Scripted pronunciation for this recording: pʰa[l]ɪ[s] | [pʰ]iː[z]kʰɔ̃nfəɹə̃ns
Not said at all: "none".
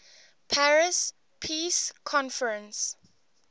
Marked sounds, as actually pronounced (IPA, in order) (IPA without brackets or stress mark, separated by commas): ɹ, s, pʰ, s